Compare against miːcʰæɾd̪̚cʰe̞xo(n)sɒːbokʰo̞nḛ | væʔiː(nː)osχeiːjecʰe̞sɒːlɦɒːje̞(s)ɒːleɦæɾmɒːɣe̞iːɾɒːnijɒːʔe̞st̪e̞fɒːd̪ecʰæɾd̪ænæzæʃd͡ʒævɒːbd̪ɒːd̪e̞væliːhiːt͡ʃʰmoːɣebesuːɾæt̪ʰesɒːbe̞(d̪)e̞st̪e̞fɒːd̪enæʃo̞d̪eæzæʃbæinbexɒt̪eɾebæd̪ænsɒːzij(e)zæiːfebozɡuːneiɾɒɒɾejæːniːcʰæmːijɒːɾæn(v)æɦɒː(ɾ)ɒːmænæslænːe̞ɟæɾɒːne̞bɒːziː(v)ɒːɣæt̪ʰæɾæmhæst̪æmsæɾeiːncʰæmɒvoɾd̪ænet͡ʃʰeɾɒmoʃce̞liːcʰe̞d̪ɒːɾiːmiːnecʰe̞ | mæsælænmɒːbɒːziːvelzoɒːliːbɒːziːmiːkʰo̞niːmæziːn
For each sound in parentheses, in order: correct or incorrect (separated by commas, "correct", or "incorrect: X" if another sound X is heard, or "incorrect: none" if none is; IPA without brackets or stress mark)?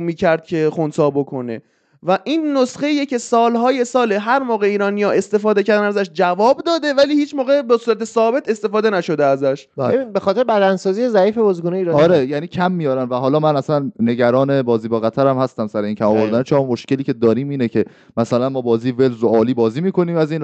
correct, correct, correct, incorrect: t̪, correct, correct, incorrect: l, incorrect: b